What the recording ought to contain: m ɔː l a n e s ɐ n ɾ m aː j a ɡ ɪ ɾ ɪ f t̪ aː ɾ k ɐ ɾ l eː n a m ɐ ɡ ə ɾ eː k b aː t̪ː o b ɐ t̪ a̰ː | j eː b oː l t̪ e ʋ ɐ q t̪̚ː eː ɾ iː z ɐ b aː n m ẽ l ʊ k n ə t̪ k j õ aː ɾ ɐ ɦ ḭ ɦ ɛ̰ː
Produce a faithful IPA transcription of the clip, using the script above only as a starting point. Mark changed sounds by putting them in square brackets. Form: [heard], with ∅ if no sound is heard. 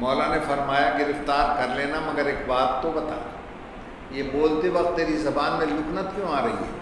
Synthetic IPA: m ɔː l a n e [f] ɐ [∅] ɾ m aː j a ɡ ɪ ɾ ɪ f t̪ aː ɾ k ɐ ɾ l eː n a m ɐ ɡ ə ɾ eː k b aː t̪ː o b ɐ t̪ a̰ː | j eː b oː l t̪ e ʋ ɐ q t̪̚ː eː ɾ [i] z ɐ b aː n m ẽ l ʊ k n ə t̪ k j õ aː ɾ ɐ ɦ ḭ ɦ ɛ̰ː